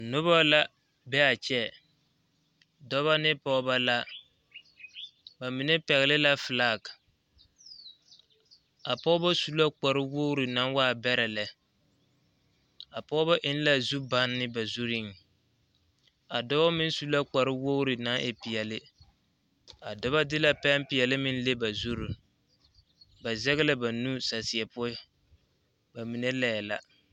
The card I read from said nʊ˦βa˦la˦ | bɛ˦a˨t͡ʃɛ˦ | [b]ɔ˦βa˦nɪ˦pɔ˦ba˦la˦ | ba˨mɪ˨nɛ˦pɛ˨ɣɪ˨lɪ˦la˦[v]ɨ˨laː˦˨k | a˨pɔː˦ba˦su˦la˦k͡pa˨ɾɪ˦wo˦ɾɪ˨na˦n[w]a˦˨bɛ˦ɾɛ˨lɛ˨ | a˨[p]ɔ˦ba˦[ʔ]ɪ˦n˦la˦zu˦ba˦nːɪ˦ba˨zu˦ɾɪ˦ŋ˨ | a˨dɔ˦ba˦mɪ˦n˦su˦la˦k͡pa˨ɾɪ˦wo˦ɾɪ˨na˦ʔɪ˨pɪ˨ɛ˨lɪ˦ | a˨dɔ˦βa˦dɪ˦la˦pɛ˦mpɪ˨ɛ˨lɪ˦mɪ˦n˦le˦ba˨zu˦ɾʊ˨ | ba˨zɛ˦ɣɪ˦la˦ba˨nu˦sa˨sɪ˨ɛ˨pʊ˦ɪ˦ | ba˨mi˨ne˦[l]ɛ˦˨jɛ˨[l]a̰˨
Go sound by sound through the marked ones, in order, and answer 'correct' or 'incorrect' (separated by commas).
incorrect, incorrect, correct, correct, correct, correct, correct